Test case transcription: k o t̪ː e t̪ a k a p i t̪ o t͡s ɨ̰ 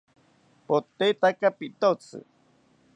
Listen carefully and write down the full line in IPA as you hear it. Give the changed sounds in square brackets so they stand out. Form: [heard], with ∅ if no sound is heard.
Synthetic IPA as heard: [p] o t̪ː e t̪ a k a p i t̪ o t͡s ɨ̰